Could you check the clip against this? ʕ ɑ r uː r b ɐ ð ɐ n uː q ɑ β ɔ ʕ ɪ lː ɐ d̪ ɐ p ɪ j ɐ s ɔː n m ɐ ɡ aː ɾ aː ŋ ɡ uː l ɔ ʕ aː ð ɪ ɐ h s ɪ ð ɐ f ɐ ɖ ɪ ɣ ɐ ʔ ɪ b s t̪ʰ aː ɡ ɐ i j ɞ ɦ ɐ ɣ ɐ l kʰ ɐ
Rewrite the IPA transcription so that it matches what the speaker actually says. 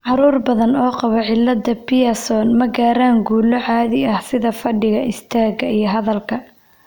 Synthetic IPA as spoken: ʕ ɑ ɾ uː r b ɐ ð ɐ n ɔː q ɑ β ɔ ʕ ɪ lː ɐ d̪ ɐ p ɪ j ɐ s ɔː n m ɐ ɡ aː ɾ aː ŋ ɡ uː l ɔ ʕ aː ð ɪ ɐ h s ɪ ð ɐ f ɐ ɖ ɪ ɣ ɐ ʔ ɪ s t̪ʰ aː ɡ ɐ i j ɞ ɦ ɐ ð ɐ l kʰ ɐ